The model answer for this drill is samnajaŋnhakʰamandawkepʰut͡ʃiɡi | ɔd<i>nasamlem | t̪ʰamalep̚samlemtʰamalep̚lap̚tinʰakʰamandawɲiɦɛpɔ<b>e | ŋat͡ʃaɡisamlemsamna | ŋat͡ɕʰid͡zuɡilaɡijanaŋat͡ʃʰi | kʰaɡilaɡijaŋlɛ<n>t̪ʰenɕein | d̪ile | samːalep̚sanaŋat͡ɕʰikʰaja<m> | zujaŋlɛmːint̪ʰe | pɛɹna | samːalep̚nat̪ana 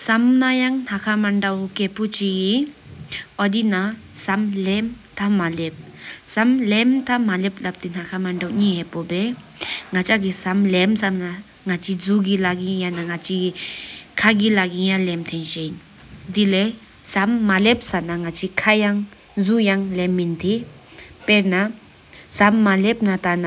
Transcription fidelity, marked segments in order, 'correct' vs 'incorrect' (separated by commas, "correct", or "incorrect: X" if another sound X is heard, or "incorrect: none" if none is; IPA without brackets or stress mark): correct, correct, incorrect: m, incorrect: ŋ